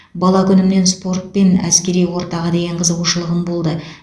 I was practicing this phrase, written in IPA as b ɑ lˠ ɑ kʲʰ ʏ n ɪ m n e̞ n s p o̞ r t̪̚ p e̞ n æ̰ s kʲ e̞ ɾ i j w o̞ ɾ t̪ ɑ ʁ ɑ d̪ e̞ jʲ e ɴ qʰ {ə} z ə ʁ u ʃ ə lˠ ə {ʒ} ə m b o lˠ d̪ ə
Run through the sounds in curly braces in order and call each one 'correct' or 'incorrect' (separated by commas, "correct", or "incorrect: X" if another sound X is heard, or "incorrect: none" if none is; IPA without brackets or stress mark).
correct, incorrect: ʁ